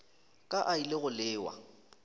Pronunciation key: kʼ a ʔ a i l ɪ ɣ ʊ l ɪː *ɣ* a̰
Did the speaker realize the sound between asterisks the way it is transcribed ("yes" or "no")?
no